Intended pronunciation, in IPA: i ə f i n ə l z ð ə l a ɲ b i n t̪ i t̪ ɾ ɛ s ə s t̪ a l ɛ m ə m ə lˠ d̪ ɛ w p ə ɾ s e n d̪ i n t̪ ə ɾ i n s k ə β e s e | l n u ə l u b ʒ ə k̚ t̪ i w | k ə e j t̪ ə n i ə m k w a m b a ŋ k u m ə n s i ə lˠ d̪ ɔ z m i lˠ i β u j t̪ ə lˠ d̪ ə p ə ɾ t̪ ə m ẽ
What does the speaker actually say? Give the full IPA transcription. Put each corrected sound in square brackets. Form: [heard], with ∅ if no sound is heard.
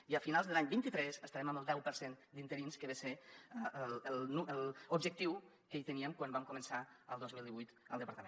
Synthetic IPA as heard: i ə f i n [a] l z ð ə l a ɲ b i n t̪ i t̪ ɾ ɛ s ə s t̪ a [ɾ] ɛ m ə m ə lˠ d̪ ɛ w p ə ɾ s e n d̪ i n t̪ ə ɾ i n s k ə β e s e | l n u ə l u b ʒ ə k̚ t̪ i w | k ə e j t̪ ə n i ə m k w a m b a [m] k u m ə n s [a] ə lˠ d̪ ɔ z m i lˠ i β u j t̪ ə lˠ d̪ ə p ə ɾ t̪ ə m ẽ